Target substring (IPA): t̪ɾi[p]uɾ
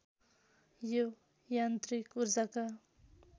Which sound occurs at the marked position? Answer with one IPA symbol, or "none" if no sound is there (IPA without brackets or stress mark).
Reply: k